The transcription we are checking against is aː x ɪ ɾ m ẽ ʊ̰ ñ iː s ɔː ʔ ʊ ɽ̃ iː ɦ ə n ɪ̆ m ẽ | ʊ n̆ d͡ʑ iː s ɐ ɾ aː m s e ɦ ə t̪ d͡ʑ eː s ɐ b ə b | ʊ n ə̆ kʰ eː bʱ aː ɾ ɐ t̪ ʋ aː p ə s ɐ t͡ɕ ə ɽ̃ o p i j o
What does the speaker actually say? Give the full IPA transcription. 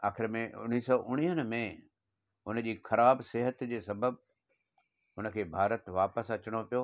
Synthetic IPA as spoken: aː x ɪ ɾ m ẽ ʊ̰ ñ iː s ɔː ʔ ʊ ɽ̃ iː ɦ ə n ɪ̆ m ẽ | ʊ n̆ d͡ʑ iː x ɐ ɾ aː b s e ɦ ə t̪ d͡ʑ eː s ɐ b ə b | ʊ n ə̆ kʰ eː bʱ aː ɾ ə t̪ ʋ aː p ə s ɐ t͡ɕ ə ɽ̃ o p i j o